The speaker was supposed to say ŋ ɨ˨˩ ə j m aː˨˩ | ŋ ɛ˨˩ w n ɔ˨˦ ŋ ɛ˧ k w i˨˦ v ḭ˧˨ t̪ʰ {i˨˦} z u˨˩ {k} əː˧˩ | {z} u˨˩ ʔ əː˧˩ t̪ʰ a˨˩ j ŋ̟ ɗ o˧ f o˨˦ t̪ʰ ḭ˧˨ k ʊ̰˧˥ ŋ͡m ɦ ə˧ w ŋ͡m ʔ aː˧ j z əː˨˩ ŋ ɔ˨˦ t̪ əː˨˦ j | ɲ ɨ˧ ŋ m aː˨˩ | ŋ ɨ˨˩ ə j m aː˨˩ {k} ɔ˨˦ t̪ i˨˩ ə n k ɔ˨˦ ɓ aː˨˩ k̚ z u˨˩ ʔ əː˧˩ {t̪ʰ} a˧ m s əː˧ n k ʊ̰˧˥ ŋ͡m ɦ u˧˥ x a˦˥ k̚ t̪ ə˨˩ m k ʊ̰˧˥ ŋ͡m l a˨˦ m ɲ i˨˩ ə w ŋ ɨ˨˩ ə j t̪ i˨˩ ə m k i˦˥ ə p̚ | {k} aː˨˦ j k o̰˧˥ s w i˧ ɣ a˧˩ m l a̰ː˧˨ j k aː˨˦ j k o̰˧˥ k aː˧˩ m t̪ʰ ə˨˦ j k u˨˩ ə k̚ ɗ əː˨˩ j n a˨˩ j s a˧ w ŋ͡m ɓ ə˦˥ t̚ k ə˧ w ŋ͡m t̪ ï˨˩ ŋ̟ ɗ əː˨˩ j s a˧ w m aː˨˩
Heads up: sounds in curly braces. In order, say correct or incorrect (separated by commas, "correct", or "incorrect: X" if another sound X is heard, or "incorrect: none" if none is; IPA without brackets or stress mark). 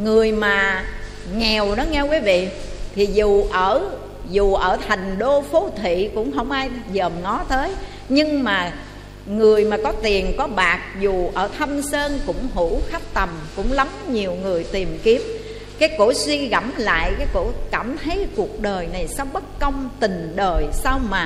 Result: incorrect: i˨˩, incorrect: ʔ, correct, correct, correct, correct